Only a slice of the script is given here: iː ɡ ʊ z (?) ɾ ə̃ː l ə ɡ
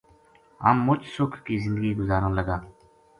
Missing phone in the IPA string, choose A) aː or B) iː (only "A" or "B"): A